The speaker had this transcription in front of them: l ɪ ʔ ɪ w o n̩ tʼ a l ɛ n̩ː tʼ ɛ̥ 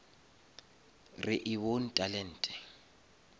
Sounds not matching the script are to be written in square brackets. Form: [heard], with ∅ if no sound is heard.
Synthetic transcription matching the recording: [r] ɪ ʔ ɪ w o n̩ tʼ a l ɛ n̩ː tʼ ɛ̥